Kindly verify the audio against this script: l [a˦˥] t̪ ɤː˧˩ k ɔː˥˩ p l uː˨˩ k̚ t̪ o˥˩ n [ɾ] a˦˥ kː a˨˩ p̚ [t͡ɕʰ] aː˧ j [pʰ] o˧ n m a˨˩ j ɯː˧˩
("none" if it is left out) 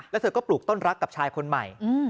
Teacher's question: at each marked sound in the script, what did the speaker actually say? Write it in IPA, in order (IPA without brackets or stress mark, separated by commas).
ɛ˦˥, ɾ, t͡ɕʰ, kʰ